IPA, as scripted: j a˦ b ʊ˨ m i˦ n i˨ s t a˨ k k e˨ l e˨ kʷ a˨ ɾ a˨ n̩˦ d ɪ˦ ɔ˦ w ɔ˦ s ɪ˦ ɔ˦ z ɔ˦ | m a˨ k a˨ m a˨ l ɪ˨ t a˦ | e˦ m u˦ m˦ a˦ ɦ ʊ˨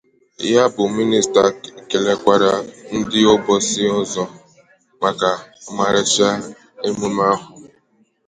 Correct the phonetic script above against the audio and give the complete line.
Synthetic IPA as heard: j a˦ b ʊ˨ m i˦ n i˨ s t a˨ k k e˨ l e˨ kʷ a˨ ɾ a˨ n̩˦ d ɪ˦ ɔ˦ b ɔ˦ s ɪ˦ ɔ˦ z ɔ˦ | m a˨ k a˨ m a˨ ɾ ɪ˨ t͡ʃ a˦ | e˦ m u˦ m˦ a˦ ɦ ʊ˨